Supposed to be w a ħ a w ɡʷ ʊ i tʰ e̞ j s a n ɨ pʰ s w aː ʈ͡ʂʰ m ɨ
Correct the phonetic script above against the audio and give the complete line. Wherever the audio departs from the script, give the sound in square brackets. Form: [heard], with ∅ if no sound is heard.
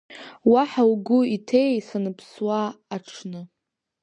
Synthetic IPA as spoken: w a ħ a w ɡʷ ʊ i tʰ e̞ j s a n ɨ pʰ s w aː ʈ͡ʂʰ [n] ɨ